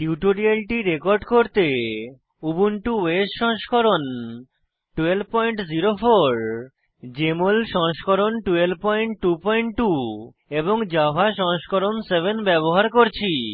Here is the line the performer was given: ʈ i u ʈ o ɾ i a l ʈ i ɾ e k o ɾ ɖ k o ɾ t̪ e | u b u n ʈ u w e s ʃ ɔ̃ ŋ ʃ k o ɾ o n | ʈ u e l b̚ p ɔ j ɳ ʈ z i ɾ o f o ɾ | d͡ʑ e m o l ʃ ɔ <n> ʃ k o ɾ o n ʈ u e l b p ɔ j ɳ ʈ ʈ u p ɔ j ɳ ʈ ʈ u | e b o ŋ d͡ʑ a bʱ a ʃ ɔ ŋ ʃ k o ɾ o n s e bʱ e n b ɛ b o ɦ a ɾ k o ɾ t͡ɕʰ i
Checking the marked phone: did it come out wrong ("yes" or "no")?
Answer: yes